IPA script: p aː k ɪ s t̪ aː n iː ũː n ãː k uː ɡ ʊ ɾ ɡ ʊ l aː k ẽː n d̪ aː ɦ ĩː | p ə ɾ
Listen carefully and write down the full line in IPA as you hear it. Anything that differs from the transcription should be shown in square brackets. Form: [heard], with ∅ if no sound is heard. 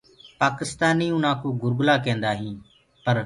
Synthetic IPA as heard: p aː k ɪ s t̪ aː n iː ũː n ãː k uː ɡ ʊ ɾ ɡ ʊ l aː k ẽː n d̪ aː ɦ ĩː | p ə ɾ